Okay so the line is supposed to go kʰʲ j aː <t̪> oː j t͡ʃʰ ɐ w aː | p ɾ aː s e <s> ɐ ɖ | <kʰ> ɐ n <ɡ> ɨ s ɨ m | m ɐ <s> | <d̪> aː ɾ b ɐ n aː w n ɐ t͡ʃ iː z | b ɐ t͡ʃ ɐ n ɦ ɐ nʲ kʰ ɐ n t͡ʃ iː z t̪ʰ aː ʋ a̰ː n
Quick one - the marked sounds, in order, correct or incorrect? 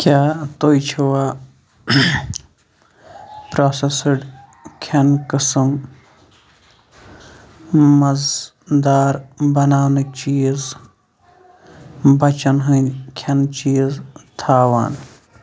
correct, correct, correct, incorrect, incorrect, correct

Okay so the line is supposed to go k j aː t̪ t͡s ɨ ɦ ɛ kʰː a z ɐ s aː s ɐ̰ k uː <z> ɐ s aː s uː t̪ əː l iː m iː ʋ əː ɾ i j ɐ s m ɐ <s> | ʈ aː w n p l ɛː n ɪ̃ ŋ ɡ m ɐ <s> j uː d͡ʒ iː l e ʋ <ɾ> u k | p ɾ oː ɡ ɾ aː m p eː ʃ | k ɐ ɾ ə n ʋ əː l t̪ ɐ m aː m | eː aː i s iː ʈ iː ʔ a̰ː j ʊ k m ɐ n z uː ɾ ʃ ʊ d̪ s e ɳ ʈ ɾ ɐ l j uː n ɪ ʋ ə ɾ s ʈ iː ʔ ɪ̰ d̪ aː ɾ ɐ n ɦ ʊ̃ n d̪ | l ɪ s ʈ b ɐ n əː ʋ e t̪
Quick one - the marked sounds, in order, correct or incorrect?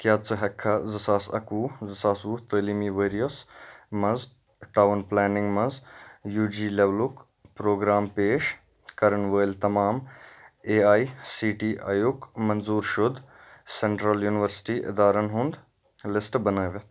correct, incorrect, incorrect, incorrect

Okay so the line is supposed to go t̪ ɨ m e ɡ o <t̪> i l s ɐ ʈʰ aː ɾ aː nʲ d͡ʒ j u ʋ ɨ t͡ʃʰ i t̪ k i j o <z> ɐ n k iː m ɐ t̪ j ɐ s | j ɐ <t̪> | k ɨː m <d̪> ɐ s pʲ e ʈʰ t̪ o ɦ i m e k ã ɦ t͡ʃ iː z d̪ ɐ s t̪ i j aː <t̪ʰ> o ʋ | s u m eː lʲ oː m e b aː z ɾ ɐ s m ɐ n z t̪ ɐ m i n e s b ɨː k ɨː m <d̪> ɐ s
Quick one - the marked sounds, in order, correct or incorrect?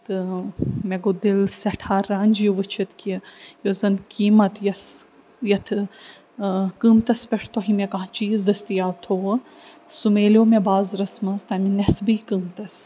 incorrect, correct, incorrect, incorrect, correct, incorrect

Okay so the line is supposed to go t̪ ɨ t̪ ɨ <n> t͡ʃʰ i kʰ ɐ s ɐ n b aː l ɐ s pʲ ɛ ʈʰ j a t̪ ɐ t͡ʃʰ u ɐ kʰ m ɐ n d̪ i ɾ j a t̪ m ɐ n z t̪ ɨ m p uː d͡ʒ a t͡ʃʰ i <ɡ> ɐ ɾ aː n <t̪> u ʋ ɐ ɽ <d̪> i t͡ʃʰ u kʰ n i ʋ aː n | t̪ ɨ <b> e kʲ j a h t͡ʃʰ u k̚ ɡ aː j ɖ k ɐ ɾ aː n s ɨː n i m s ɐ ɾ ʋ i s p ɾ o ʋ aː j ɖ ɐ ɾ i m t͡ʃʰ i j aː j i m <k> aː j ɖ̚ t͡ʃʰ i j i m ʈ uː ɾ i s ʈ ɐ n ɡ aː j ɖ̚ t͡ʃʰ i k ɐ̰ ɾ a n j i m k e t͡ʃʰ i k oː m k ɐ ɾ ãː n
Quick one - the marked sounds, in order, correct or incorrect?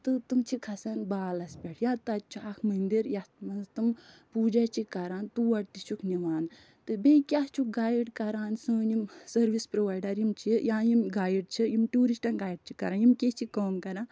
incorrect, incorrect, correct, incorrect, correct, incorrect

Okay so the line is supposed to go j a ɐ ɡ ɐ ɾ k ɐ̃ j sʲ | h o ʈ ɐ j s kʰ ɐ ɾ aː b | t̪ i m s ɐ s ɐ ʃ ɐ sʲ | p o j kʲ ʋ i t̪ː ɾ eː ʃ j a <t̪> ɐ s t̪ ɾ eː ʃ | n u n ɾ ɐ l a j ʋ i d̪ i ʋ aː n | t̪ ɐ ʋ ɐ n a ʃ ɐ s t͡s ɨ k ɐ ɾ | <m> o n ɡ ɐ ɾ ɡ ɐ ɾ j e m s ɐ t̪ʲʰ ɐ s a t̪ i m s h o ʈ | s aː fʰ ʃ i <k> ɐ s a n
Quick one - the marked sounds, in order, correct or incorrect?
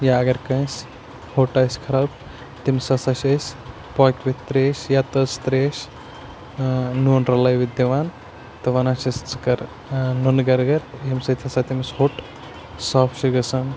correct, incorrect, incorrect

